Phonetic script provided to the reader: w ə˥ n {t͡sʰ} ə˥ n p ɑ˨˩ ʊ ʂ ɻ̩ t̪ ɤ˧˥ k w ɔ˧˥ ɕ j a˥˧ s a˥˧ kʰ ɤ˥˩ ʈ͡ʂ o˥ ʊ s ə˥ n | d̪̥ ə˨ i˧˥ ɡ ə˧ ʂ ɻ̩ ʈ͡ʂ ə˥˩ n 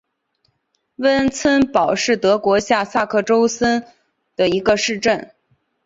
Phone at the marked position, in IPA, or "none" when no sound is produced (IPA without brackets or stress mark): t͡sʰ